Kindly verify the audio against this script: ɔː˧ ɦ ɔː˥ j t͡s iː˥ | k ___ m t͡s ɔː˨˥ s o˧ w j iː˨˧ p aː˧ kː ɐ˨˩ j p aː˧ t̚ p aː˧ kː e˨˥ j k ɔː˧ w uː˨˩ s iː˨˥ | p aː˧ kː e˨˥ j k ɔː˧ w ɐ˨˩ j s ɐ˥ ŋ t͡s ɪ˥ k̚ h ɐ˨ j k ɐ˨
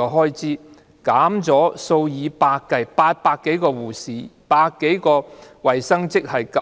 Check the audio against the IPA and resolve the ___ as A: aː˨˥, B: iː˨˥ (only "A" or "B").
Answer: A